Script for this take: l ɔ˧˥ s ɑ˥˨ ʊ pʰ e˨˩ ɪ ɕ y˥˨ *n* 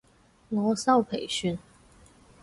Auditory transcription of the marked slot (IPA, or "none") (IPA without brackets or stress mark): n